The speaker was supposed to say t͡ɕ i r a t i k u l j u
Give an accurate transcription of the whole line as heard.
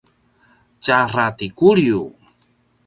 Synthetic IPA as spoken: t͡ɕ a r a t i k u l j u

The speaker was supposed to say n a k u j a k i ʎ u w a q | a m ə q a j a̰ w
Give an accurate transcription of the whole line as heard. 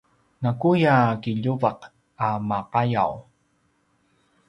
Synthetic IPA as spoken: n a k u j a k i ʎ u v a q | a m a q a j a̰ w

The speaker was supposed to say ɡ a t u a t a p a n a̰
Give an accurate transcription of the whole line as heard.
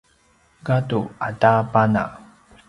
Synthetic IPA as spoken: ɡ a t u a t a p a n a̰

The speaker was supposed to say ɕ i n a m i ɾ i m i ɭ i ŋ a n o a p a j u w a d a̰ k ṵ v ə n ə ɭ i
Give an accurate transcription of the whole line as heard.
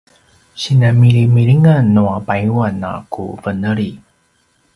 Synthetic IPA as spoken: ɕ i n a m i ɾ i m i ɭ i ŋ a n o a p a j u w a n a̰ k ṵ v ə n ə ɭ i

